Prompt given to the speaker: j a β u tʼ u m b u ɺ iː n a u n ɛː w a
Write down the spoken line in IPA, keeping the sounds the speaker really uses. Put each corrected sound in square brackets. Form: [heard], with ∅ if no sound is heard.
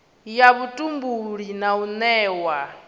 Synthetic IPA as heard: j a β u tʼ u m b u ɺ [i] n a u n ɛː w a

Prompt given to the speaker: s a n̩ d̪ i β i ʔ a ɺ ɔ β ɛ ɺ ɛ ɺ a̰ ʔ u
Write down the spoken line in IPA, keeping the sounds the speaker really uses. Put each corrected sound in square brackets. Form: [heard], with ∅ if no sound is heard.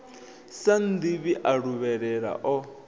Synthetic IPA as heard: s a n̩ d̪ i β i ʔ a ɺ [u] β ɛ ɺ ɛ ɺ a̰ ʔ [ɔ]

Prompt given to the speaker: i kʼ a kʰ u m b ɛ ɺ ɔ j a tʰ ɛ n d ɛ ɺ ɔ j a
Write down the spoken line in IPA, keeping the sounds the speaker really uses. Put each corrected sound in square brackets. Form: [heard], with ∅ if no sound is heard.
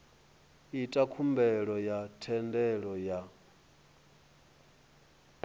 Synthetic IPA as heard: i [tʼ] a kʰ u m b ɛ ɺ ɔ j a tʰ ɛ n d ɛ ɺ ɔ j a

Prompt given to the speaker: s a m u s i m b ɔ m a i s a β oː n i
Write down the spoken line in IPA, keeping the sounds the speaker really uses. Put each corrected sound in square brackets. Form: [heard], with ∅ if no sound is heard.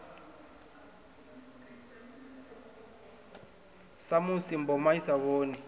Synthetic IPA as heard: s a m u s i m b ɔ m a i s a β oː n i

